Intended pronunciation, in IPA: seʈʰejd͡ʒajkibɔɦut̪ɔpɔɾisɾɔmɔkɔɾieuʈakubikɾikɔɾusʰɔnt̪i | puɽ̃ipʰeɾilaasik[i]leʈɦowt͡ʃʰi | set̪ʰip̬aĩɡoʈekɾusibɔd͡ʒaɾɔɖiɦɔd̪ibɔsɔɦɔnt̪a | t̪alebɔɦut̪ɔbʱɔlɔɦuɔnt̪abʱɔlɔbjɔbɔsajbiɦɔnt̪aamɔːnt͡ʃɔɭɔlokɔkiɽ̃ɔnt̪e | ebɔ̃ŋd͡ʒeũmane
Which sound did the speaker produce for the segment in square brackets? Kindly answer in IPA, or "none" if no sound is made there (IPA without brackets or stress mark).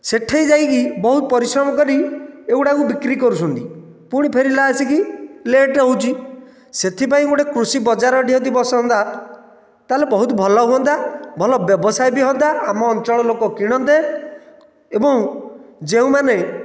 i